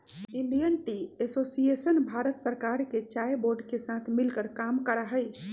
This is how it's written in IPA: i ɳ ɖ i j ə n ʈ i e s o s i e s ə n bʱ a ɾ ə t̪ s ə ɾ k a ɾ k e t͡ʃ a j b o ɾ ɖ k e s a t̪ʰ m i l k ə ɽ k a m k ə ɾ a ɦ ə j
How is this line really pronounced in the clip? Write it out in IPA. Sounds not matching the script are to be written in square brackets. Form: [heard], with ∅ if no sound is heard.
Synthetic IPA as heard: i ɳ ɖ i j ə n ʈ i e s o s i e s ə n bʱ a ɾ ə t̪ s ə ɾ k a ɾ k e t͡ʃ a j b o ɾ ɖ k e s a t̪ʰ m i l k ə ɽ k a m k ə ɾ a ɦ ə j